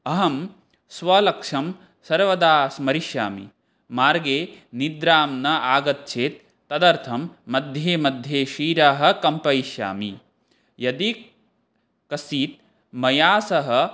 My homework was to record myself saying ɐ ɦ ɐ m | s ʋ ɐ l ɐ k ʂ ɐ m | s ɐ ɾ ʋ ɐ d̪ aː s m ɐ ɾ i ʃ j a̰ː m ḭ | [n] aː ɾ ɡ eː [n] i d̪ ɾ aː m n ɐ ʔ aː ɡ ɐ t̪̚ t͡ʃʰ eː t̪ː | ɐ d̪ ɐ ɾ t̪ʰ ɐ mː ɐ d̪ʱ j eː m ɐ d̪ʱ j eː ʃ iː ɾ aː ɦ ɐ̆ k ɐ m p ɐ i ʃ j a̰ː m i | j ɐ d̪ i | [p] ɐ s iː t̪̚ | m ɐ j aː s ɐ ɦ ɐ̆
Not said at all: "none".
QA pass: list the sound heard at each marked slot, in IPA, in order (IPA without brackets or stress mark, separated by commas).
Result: m, n, k